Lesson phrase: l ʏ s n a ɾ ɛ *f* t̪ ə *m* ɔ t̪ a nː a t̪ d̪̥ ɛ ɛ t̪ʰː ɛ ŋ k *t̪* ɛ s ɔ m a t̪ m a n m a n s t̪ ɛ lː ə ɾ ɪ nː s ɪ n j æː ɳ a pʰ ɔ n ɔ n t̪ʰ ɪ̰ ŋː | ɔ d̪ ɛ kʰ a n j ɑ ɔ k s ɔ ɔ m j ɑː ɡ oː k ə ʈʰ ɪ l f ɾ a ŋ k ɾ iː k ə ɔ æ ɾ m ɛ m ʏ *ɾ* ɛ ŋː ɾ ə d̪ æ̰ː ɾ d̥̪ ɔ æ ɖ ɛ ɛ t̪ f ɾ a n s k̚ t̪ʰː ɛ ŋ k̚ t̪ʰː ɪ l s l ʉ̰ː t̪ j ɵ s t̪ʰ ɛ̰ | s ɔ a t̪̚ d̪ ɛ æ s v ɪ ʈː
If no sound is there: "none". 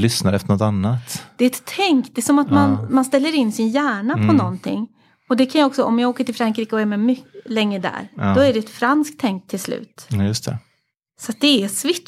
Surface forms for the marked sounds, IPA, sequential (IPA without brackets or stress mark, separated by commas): f, ɳ, d̪, l